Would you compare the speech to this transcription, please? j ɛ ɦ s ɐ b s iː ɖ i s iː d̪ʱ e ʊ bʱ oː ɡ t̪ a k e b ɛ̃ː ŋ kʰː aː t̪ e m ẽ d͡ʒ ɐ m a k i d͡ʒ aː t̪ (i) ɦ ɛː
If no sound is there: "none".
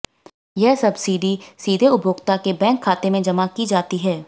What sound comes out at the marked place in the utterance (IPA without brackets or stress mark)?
i